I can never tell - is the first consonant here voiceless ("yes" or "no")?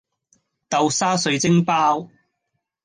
yes